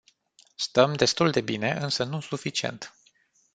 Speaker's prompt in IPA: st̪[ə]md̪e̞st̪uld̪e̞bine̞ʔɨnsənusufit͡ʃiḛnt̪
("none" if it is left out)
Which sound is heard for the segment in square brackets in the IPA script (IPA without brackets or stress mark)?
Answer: ə